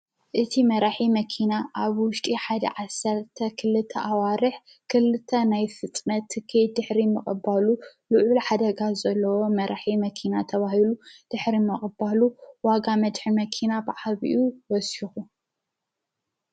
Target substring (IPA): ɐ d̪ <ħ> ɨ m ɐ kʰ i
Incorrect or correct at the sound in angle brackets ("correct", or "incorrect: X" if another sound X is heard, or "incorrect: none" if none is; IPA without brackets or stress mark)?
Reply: correct